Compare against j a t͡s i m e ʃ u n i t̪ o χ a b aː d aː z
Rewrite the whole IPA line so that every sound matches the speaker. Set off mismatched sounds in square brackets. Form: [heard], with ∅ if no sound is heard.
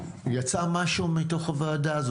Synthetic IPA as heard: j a t͡s [a] m [a] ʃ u [m] i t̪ o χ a [v] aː d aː z